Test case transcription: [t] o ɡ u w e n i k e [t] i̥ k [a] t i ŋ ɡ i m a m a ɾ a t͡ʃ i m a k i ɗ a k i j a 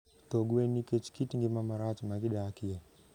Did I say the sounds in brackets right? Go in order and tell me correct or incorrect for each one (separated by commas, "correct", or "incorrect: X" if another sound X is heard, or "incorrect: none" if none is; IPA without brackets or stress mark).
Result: correct, incorrect: t͡ʃ, incorrect: i